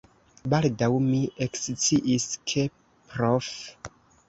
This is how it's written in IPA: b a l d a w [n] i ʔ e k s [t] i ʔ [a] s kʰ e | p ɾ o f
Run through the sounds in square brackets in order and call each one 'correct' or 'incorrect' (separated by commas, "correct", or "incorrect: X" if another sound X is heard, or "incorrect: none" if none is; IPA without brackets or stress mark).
incorrect: m, incorrect: t͡s, incorrect: i